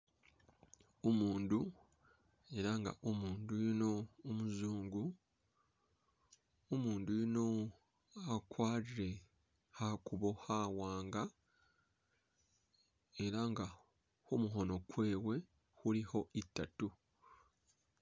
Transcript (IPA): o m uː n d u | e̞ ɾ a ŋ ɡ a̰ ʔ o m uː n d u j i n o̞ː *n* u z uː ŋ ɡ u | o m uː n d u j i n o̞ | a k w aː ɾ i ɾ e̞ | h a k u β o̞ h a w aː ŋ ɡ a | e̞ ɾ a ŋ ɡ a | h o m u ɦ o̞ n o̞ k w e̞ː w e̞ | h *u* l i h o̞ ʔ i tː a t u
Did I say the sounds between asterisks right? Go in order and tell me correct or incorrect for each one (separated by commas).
incorrect, correct